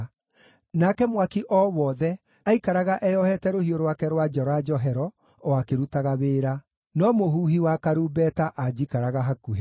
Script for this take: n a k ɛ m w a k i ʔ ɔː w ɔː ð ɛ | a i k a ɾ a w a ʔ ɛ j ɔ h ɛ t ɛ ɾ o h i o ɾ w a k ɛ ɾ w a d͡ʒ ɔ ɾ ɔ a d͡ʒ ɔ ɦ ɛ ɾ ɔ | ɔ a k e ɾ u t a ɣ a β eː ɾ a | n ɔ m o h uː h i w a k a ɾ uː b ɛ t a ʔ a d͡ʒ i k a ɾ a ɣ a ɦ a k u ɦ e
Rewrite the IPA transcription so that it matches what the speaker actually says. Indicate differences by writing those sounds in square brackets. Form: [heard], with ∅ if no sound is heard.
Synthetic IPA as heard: n a k ɛ m w a k i ʔ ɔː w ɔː ð ɛ | a i k a ɾ a [ɣ] a ʔ ɛ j ɔ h ɛ t ɛ ɾ o h i o ɾ w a k ɛ ɾ w a d͡ʒ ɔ ɾ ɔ a d͡ʒ ɔ ɦ ɛ ɾ ɔ | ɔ a k e ɾ u t a ɣ a β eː ɾ a | n ɔ m o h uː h i w a k a ɾ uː b ɛ t a ʔ a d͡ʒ i k a ɾ a ɣ a ɦ a k u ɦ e

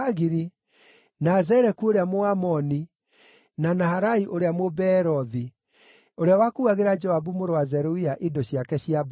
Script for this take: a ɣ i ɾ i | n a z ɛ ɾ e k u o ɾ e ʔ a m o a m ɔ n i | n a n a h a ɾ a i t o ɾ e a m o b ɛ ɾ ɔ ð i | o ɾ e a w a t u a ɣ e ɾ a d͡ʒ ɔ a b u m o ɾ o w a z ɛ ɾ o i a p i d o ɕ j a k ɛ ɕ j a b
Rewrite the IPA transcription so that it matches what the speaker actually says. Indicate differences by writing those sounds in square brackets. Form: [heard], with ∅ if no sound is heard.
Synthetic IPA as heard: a ɣ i ɾ i | n a z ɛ ɾ [ɛ] k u o ɾ e [∅] a m o a m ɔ n i | n a n a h a ɾ a i [ʔ] o ɾ e a m o b ɛ ɾ ɔ ð i | o ɾ e a w a [k] u a ɣ e ɾ a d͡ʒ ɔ a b u m o ɾ o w a z ɛ ɾ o i a [ʔ] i d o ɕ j a k ɛ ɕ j a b

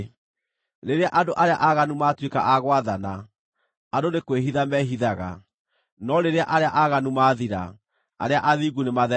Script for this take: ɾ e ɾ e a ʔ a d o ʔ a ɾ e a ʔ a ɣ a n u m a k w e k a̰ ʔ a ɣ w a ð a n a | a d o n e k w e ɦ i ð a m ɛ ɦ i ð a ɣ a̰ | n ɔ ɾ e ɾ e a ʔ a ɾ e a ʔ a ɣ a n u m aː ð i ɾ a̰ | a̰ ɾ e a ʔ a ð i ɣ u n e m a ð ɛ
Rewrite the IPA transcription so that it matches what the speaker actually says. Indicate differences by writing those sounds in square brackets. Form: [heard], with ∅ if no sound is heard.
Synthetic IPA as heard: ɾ e ɾ e a ʔ a d o ʔ a ɾ e a ʔ a ɣ a n u m a [t] w e k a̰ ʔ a ɣ w a ð a n a | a d o n e k w e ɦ i ð a m ɛ ɦ i ð a ɣ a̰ | n ɔ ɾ e ɾ e a ʔ a ɾ e a ʔ a ɣ a n u m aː ð i ɾ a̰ | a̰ ɾ e a ʔ a ð i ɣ u n e m a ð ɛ

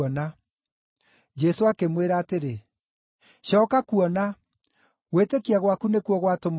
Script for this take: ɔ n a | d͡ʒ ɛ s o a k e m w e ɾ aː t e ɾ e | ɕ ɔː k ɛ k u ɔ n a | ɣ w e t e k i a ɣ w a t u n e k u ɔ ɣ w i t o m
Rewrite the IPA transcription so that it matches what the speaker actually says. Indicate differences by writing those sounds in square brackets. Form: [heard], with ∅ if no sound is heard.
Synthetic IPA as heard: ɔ n a | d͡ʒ ɛ s o a k e m w e ɾ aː t e ɾ e | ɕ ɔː k [a] k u ɔ n a | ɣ w e t e k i a ɣ w a [k] u n e k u ɔ ɣ w [a] t o m

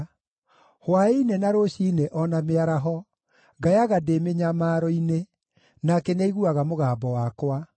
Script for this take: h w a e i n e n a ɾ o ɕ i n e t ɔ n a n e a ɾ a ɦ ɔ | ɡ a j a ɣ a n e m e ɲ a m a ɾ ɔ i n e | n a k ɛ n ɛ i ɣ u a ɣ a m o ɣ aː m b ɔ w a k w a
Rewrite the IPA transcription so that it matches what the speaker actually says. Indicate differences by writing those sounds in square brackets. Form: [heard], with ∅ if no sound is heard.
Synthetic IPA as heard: h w a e i n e n a ɾ o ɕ i n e [ʔ] ɔ n a [m] e a ɾ a ɦ ɔ | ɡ a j a ɣ a [d] e m e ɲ a m a ɾ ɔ i n e | n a k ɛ n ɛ i ɣ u a ɣ a m o ɣ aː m b ɔ w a k w a

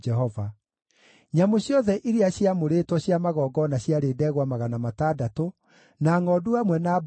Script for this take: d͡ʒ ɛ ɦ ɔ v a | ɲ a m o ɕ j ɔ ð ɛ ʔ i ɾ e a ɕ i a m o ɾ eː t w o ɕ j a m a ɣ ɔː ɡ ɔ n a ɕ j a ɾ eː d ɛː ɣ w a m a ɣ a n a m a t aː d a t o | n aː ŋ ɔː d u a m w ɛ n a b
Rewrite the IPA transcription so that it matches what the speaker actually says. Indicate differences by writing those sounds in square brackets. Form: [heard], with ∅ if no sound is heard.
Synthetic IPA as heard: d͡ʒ ɛ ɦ ɔ v a | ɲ a m o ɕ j ɔ ð ɛ ʔ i ɾ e a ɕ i a m o ɾ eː t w [ɔ] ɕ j a m a ɣ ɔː ɡ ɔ n a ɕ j a ɾ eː d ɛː ɣ w a m a ɣ a n a m a t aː d a t o | n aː ŋ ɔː d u a m w ɛ n a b

